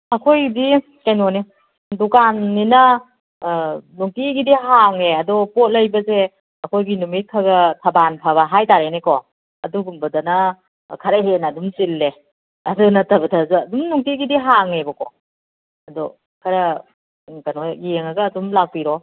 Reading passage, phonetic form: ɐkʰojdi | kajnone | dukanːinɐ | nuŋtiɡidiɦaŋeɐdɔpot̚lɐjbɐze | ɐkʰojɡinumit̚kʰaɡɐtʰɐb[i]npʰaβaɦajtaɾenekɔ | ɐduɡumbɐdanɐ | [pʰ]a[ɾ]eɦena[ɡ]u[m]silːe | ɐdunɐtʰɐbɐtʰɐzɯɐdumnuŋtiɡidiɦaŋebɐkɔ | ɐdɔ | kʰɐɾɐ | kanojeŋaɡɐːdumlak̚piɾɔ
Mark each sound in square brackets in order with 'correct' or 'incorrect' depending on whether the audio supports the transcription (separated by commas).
incorrect, incorrect, correct, incorrect, correct